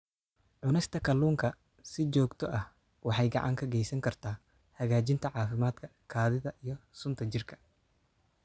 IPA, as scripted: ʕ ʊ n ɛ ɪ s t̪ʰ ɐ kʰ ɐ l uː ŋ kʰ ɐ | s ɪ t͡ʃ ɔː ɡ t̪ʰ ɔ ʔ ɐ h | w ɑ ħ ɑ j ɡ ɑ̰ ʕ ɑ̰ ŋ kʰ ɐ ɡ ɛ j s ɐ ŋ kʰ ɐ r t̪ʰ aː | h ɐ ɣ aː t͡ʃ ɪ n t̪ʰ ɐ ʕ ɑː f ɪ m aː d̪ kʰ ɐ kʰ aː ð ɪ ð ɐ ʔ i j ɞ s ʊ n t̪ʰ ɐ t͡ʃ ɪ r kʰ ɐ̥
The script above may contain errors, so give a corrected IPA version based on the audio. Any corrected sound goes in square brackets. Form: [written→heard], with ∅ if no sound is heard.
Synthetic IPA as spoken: ʕ ʊ n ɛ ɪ s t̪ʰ ɐ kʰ ɐ l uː ŋ kʰ ɐ | s ɪ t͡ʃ ɔː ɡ t̪ʰ ɔ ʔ ɐ h | w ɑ ħ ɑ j ɡ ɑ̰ ʕ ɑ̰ ŋ kʰ ɐ ɡ ɛ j s ɐ ŋ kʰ ɐ r t̪ʰ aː | h ɐ ɣ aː t͡ʃ ɪ n t̪ʰ ɐ ʕ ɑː f ɪ m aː d̪ kʰ ɐ kʰ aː ð ɪ ð ɐ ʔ i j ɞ s ʊ n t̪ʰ ɐ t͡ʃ ɪ r kʰ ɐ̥